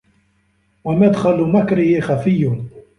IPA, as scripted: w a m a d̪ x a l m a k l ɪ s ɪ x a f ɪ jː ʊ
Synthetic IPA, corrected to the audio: w a m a d̪ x a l m a k ɾ ɪ h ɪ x a f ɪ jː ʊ